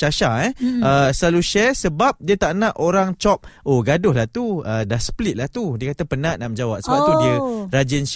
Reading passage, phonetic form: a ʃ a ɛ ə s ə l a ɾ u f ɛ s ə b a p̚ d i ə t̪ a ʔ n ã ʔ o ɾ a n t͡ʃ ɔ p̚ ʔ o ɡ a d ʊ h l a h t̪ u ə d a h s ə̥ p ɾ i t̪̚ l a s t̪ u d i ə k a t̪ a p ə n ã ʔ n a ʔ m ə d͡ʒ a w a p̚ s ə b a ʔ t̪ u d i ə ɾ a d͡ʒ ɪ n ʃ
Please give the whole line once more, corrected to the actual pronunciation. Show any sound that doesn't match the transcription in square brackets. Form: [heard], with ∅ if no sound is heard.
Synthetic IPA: a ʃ a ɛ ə s ə l a [l] u [ʃ] ɛ s ə b a p̚ d i ə t̪ a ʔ n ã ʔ o ɾ a [ŋ] t͡ʃ ɔ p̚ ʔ o ɡ a d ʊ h l a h t̪ u ə d a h s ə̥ p [l] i t̪̚ l a [h] t̪ u d i ə k a t̪ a p ə n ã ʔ n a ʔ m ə d͡ʒ a w a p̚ s ə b a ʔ t̪ u d i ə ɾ a d͡ʒ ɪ n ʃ